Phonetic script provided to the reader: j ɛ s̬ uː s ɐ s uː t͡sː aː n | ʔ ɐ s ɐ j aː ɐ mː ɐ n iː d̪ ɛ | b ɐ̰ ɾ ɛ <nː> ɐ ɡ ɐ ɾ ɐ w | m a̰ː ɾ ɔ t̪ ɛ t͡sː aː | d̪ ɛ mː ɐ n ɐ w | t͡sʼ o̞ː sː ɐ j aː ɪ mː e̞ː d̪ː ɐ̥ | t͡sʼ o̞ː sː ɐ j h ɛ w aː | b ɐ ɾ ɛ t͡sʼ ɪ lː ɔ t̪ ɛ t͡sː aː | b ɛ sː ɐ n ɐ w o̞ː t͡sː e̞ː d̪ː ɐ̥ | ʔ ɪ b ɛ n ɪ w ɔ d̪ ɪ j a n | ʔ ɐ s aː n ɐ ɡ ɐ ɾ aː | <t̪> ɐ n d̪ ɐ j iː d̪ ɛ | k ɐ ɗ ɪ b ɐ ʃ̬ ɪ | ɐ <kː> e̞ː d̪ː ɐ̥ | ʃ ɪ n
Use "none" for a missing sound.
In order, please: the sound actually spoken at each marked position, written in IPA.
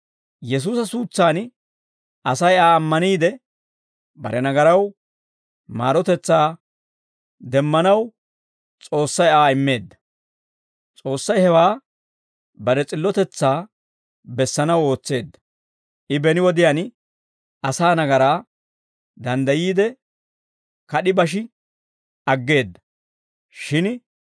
n, d̪, ɡː

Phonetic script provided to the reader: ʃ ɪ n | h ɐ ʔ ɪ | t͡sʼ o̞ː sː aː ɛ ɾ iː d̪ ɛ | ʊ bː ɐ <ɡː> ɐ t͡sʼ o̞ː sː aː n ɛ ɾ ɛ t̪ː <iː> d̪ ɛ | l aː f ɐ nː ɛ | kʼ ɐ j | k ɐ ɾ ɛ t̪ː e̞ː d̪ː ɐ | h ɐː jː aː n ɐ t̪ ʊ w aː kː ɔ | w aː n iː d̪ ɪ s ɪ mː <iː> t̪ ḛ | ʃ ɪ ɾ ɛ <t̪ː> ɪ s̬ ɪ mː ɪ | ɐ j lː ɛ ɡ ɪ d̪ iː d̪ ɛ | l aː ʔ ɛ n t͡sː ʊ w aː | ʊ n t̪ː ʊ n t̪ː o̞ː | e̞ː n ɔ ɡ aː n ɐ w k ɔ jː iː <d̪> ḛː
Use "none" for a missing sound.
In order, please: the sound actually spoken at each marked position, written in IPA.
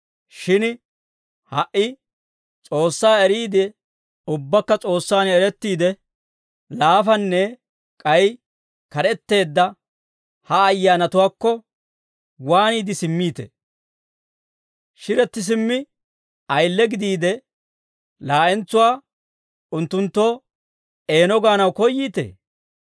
kː, iː, iː, t̪ː, t̪

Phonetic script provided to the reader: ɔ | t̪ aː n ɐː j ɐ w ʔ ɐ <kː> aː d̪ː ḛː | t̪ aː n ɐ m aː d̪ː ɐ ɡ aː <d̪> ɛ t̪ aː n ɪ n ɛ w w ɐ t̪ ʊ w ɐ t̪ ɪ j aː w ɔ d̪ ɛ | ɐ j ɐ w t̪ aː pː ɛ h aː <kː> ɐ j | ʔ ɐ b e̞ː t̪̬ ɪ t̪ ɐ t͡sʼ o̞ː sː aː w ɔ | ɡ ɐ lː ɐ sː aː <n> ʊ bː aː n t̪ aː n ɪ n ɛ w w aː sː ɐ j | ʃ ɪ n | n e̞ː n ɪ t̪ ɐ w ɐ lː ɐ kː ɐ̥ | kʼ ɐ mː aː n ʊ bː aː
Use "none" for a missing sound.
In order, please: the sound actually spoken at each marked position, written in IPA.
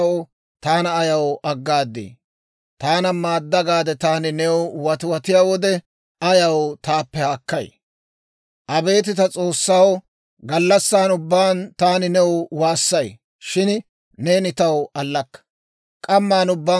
ɡː, d̪, kː, n

